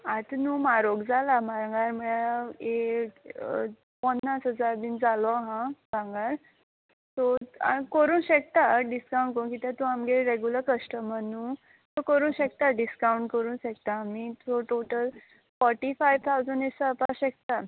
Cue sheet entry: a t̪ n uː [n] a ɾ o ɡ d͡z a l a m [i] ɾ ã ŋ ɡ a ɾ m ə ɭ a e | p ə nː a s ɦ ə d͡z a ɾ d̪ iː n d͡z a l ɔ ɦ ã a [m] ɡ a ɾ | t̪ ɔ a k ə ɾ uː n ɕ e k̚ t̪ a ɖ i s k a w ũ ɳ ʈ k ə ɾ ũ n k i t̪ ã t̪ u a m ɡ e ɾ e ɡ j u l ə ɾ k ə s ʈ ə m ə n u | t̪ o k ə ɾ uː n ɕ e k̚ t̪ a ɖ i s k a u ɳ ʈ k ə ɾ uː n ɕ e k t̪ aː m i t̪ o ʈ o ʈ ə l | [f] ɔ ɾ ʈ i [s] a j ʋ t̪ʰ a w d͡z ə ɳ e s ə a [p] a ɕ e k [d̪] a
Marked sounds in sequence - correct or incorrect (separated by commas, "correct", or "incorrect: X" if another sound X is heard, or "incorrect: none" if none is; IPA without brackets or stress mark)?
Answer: incorrect: m, incorrect: a, incorrect: ŋ, correct, incorrect: f, correct, incorrect: t̪